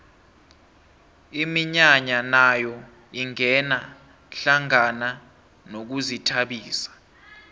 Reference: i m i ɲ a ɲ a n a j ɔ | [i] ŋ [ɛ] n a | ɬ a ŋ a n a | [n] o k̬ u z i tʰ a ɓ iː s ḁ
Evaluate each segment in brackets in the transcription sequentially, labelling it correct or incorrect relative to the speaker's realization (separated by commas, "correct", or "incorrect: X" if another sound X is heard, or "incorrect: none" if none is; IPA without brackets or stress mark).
correct, correct, correct